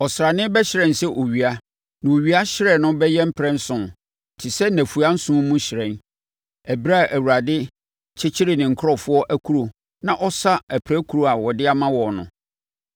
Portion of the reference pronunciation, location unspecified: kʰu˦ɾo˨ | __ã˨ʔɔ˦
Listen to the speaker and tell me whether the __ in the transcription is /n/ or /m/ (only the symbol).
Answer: n